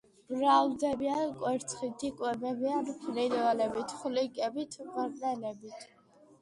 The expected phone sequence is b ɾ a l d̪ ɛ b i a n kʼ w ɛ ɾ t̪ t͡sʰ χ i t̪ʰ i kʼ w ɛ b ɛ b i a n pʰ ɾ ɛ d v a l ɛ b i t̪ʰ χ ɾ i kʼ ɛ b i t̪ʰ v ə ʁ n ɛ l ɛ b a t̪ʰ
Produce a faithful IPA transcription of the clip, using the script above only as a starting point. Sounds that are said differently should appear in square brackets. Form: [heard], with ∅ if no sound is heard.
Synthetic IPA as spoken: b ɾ a l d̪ ɛ b i a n kʼ w ɛ ɾ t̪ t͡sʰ χ i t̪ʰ i kʼ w ɛ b ɛ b i a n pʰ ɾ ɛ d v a l ɛ b i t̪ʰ χ [l] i kʼ ɛ b i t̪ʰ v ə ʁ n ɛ l ɛ b [i] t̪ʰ